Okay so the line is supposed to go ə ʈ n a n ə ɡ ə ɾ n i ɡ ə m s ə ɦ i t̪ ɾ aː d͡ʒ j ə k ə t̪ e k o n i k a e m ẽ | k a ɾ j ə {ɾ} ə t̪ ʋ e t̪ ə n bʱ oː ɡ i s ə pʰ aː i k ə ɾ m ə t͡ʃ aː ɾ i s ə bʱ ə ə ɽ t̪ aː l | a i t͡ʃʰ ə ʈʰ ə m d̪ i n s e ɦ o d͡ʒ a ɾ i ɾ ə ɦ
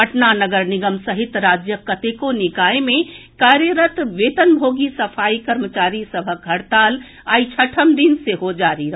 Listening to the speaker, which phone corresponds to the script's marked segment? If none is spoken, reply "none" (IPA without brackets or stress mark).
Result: ɾ